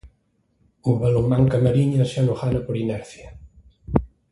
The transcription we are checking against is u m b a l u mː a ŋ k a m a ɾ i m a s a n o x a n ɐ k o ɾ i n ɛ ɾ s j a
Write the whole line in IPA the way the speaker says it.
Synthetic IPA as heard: u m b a l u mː a ŋ k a m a ɾ i ɲ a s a n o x a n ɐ p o ɾ i n ɛ ɾ θ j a